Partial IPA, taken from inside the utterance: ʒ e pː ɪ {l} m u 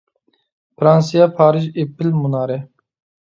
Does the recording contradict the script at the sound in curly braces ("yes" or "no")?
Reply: no